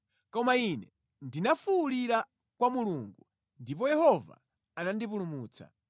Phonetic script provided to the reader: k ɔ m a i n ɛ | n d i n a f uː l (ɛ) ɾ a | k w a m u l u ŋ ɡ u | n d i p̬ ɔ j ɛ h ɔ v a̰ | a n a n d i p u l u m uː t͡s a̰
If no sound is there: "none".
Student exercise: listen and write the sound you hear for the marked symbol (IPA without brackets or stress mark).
i